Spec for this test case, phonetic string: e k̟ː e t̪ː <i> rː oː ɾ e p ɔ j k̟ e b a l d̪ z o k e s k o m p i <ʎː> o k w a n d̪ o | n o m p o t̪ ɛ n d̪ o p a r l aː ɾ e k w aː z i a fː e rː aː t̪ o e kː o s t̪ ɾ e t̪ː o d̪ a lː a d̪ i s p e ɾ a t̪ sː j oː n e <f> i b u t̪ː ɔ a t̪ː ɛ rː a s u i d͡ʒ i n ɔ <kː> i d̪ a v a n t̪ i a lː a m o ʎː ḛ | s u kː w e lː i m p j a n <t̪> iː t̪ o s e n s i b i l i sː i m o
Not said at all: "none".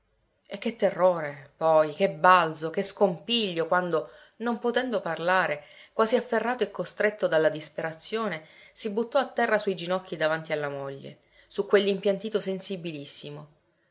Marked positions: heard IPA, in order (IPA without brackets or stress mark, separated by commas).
e, ʎː, s, kː, t̪